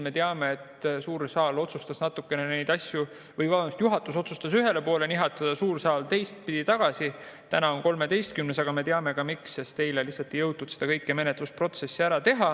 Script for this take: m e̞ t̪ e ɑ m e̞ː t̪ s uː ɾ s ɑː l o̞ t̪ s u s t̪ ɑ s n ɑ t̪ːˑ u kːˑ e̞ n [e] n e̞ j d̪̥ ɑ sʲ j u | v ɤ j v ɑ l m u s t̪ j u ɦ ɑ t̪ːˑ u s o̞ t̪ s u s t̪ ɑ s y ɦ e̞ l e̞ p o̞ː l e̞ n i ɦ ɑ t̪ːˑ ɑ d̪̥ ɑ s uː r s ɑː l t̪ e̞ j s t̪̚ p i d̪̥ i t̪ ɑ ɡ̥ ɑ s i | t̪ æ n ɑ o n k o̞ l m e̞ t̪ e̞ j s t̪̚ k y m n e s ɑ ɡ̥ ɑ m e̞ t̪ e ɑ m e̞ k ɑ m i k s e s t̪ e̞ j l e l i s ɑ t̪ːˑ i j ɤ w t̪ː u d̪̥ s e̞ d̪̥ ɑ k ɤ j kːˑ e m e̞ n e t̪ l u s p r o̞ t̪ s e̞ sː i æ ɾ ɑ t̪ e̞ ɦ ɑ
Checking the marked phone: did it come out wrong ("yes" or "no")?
no